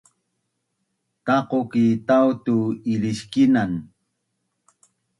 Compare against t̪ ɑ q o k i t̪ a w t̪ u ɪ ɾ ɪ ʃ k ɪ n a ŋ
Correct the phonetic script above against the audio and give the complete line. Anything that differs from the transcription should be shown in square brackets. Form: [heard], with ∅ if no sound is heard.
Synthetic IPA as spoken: t̪ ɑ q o k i t̪ a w t̪ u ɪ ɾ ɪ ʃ k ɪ n a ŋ